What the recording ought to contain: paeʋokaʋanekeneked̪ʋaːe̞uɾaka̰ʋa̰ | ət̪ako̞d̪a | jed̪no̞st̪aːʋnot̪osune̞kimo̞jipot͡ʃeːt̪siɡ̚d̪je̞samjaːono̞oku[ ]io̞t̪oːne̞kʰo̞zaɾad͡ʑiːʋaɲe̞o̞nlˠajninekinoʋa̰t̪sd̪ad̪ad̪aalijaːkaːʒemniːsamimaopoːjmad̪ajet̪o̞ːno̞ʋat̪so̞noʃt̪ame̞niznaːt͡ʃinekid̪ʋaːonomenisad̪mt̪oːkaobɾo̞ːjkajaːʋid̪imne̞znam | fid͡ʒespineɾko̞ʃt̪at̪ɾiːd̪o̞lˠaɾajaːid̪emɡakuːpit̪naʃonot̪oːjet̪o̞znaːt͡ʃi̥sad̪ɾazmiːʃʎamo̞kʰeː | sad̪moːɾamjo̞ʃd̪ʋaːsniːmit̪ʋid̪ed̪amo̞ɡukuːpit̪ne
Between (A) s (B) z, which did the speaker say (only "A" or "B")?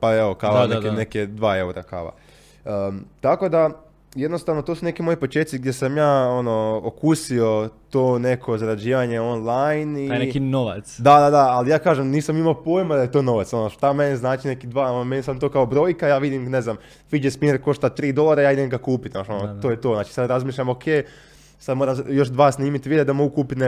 A